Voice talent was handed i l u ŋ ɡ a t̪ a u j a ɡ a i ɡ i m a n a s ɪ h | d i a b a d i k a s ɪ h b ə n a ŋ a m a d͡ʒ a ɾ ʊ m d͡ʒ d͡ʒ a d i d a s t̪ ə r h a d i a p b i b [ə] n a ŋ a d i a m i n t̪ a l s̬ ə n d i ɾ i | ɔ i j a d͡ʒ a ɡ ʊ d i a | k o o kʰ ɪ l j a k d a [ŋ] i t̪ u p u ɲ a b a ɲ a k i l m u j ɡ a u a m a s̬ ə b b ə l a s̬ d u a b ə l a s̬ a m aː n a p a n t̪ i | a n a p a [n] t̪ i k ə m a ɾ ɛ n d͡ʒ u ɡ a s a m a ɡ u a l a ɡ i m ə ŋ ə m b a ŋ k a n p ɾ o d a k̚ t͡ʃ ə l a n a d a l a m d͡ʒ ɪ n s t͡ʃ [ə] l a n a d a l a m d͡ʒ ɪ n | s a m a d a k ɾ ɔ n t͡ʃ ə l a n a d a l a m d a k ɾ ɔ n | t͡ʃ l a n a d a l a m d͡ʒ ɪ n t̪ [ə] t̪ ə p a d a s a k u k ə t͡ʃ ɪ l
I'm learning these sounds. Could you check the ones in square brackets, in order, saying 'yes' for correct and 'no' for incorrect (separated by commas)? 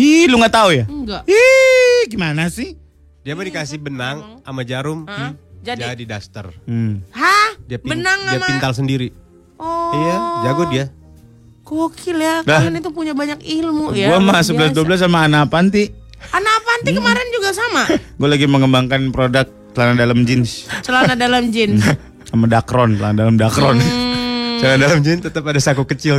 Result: yes, no, yes, yes, yes